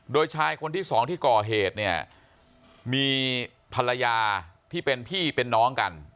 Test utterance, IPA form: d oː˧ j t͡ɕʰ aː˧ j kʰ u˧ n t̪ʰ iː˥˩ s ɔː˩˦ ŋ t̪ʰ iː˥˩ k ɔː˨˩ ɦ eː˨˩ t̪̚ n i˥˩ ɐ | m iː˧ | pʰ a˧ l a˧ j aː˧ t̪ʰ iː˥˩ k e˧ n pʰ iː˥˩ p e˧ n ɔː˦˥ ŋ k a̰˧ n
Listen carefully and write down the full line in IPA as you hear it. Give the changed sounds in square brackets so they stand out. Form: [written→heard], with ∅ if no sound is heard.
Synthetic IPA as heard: d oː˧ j t͡ɕʰ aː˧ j kʰ [u˧→o˧] n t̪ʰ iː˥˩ s ɔː˩˦ ŋ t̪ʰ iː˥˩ k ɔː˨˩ ɦ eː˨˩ t̪̚ n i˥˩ ɐ | m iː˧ | pʰ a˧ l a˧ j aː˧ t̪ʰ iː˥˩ [k→p] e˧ n pʰ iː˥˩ p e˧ [n→nː] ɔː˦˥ ŋ k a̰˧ n